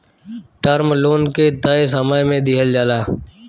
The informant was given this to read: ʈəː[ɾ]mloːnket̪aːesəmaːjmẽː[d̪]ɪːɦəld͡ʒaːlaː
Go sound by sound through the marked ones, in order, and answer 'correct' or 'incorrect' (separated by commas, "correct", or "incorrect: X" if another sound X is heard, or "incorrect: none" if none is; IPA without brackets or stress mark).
correct, correct